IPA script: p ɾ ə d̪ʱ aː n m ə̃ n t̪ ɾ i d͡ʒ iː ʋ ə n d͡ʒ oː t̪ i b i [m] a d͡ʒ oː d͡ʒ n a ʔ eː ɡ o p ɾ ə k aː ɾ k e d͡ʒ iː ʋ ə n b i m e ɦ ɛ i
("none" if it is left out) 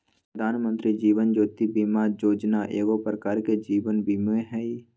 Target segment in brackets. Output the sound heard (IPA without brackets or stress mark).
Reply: m